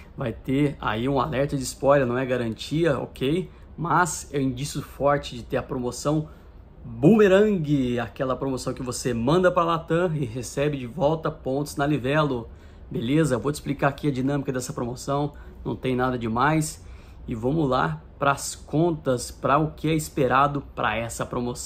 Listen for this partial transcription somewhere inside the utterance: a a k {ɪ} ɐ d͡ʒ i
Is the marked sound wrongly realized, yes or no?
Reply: yes